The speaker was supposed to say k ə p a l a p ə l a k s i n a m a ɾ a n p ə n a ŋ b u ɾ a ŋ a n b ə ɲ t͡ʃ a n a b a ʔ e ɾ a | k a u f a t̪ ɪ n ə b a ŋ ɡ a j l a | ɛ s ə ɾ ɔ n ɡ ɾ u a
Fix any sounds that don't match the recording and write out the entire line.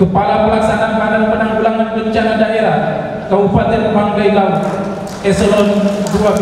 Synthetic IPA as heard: k ə p a l a p ə l a k s a n a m a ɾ a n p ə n a ŋ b u l a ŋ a n b ə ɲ t͡ʃ a n a d a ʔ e ɾ a | k a u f a t̪ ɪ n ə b a ŋ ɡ a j l a | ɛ s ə l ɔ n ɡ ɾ u a